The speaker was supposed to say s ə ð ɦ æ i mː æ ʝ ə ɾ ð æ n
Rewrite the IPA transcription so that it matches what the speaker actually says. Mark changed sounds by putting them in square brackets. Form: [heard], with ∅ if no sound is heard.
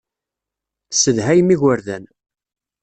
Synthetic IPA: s ə ð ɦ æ [j] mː [i] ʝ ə ɾ ð æ n